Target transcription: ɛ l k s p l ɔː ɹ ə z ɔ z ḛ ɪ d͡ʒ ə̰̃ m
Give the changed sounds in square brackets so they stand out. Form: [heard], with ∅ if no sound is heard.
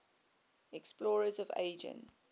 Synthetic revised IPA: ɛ [∅] k s p l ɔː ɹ ə z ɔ [v] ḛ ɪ d͡ʒ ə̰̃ [n]